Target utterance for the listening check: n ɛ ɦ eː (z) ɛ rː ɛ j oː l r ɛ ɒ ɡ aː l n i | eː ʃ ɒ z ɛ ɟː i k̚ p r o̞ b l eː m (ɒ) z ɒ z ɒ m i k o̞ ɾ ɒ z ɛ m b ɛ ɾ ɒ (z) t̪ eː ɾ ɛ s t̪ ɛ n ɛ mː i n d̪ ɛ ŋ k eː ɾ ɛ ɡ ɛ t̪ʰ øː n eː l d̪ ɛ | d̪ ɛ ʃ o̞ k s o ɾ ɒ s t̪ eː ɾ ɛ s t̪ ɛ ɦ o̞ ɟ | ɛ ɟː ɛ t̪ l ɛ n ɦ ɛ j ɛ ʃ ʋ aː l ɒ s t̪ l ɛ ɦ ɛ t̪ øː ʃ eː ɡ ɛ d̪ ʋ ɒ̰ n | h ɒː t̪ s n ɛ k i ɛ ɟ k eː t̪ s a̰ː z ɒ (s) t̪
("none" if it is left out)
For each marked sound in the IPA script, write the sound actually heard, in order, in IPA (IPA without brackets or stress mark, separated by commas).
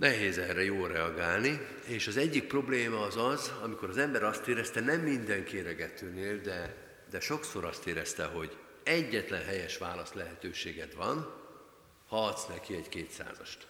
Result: z, ɒː, s, ʃ